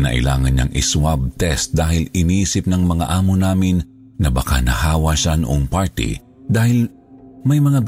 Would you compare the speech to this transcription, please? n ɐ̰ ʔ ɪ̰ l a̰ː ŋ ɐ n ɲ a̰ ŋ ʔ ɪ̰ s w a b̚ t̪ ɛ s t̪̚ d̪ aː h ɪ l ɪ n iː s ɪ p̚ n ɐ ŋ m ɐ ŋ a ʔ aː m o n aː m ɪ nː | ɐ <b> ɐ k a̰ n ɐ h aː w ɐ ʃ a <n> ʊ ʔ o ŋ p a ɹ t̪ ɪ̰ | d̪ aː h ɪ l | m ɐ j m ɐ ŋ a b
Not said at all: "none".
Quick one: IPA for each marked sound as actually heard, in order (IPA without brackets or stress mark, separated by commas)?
b, n